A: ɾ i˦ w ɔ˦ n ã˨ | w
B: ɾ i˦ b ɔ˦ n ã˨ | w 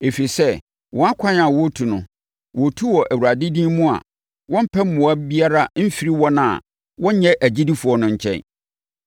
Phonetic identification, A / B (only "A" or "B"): A